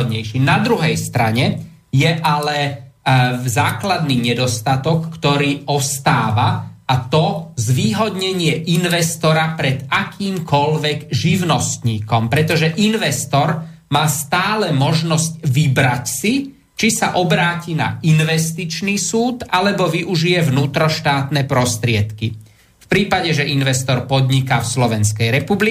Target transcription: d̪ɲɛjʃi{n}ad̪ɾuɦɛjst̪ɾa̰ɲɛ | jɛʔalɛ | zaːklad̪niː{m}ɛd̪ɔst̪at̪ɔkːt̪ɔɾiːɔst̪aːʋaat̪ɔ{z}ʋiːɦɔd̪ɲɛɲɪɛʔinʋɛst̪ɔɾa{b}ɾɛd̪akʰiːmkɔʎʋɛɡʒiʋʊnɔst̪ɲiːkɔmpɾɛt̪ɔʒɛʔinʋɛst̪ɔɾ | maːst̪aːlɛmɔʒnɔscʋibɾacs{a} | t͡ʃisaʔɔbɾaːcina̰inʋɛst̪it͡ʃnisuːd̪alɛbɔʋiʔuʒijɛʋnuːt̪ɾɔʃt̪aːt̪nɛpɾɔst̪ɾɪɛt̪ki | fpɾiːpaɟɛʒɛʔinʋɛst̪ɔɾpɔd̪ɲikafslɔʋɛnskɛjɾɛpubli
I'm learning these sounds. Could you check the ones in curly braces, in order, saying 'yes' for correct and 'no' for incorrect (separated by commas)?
yes, no, yes, no, no